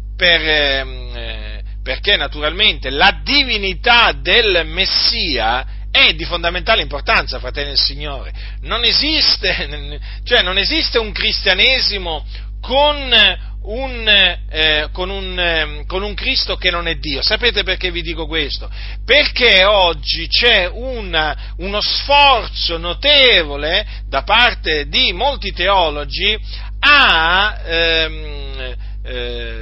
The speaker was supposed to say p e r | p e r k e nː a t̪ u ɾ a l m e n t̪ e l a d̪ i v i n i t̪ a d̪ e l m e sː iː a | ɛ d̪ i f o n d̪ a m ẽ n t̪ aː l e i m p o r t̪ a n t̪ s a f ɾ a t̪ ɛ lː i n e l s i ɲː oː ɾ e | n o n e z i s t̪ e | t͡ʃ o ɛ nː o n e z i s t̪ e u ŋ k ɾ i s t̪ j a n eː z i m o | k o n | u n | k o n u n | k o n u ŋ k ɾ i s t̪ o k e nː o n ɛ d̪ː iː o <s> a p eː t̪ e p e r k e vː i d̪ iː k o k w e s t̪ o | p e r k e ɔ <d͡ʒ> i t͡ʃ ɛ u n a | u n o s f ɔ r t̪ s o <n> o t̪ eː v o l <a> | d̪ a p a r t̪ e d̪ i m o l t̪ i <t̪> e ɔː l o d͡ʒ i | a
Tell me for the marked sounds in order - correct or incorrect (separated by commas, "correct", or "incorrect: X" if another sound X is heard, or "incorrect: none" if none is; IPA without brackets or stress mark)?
correct, incorrect: d͡ʒː, correct, incorrect: e, correct